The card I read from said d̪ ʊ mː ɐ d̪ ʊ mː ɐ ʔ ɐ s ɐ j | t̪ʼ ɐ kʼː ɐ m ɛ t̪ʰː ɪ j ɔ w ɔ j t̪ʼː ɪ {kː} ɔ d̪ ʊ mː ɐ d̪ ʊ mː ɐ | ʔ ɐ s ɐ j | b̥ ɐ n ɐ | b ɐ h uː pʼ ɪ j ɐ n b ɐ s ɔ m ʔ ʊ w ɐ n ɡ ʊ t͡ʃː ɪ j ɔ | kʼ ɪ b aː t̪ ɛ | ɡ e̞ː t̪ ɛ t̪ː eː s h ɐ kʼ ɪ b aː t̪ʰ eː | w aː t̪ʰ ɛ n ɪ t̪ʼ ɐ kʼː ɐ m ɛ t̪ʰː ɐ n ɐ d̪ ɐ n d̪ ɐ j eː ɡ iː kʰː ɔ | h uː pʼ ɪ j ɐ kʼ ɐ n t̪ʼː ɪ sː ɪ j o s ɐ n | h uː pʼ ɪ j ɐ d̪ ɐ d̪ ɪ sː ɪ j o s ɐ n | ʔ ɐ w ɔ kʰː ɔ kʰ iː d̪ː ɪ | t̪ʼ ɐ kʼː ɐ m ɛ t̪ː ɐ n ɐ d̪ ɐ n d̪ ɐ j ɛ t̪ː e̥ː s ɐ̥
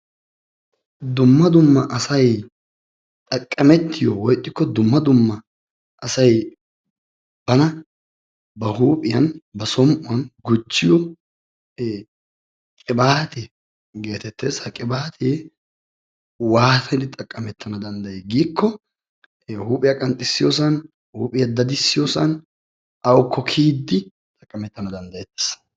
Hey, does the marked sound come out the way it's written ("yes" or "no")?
yes